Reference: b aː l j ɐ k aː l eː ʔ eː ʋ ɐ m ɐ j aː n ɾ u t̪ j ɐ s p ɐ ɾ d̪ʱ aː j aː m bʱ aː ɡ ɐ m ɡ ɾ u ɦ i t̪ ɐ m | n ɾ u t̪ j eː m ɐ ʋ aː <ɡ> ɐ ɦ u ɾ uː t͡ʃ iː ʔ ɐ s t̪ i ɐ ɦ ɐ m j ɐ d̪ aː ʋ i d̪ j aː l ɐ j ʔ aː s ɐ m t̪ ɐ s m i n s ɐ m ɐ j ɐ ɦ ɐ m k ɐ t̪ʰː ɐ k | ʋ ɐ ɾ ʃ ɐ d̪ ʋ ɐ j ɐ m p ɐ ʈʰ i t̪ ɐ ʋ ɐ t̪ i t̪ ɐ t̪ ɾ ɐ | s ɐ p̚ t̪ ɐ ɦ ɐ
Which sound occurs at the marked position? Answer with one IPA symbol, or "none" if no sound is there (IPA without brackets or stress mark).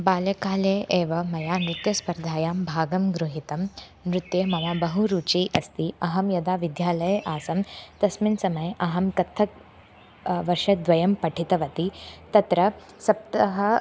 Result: b